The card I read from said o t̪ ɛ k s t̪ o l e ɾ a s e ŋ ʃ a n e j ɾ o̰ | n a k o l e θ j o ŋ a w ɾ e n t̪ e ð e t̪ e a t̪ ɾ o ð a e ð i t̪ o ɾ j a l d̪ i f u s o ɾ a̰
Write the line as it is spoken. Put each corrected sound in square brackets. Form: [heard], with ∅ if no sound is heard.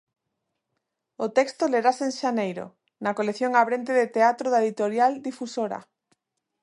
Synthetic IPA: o t̪ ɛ k s t̪ o l e ɾ a s e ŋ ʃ a n e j ɾ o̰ | n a k o l e θ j o ŋ a [β] ɾ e n t̪ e ð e t̪ e a t̪ ɾ o ð a e ð i t̪ o ɾ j a l d̪ i f u s o ɾ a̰